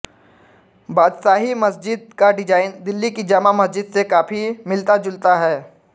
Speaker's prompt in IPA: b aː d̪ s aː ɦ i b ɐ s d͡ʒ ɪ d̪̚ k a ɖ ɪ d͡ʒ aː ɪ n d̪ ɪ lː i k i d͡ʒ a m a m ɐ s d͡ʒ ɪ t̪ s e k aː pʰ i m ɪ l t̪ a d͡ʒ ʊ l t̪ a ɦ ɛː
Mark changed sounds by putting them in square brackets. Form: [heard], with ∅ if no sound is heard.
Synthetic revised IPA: b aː d̪ s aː ɦ i [m] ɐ s d͡ʒ ɪ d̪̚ k a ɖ ɪ d͡ʒ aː ɪ n d̪ ɪ lː i k i d͡ʒ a m a m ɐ s d͡ʒ ɪ [d̪] s e k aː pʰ i m ɪ l t̪ a d͡ʒ ʊ l t̪ a ɦ ɛː